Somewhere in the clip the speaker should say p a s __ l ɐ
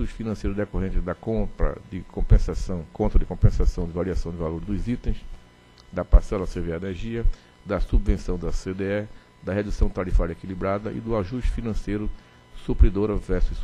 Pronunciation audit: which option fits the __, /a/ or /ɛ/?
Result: ɛ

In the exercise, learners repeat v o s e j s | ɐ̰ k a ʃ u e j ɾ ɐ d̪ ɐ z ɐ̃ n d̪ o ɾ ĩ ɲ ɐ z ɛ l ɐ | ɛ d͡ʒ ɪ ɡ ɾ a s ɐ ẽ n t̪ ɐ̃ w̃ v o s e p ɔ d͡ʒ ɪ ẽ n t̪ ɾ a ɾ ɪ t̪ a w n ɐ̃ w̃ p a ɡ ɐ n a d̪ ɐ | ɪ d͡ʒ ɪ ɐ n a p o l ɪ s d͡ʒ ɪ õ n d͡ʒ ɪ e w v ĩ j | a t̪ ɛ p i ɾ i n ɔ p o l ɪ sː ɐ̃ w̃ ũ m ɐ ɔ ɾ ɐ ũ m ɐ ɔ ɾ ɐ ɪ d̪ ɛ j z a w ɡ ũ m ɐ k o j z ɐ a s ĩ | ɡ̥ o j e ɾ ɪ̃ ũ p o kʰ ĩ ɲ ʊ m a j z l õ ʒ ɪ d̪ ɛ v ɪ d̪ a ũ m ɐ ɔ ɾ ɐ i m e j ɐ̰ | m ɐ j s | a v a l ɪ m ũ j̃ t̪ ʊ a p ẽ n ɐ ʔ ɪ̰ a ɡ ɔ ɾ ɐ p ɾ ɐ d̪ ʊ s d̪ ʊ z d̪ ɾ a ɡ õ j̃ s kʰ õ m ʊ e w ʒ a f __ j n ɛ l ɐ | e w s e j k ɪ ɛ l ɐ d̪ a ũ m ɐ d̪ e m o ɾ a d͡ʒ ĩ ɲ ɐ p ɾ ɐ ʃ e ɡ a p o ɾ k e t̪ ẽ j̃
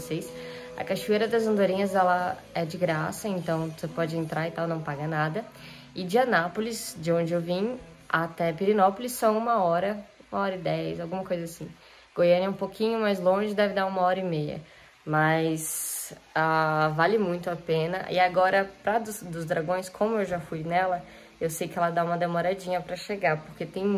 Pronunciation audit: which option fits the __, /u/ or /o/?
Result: u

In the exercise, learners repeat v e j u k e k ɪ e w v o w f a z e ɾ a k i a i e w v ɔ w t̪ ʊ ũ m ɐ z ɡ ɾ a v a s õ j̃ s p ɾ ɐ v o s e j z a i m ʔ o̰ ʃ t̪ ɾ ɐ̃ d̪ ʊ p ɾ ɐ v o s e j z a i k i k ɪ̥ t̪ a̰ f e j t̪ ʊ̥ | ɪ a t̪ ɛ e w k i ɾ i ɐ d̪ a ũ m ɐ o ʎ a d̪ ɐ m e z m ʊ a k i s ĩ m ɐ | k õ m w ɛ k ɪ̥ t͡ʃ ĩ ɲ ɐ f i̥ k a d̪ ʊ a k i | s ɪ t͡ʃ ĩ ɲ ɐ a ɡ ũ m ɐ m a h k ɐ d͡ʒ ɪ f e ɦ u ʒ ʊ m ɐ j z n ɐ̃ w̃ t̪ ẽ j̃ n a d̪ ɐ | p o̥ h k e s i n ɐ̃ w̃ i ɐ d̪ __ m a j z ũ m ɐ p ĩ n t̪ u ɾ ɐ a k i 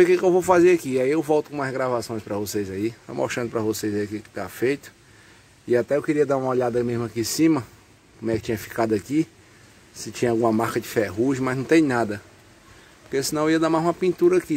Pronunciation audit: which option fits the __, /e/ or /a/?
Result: a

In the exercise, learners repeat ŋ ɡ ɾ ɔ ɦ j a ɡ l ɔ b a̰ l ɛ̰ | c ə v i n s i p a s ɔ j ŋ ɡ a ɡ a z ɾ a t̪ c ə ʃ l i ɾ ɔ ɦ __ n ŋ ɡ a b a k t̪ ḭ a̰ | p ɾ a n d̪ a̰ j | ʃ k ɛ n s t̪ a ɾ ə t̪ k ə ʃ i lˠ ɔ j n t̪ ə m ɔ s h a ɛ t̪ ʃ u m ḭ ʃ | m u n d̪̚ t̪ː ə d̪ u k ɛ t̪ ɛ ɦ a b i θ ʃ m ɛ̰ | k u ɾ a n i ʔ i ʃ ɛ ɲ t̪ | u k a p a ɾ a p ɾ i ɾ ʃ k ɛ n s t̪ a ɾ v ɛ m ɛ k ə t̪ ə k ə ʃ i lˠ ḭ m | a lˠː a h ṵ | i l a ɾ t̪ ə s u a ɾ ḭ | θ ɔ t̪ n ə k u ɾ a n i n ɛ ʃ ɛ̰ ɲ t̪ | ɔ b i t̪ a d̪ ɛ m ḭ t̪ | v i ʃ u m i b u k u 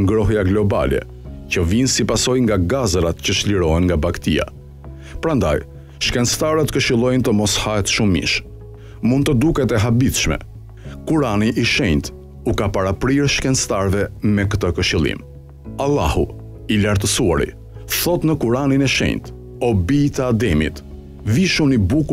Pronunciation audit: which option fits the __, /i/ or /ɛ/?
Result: ɛ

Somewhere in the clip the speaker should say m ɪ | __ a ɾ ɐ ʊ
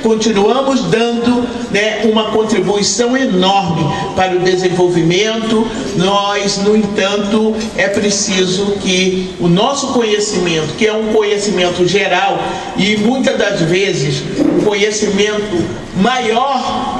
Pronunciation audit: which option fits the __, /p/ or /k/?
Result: p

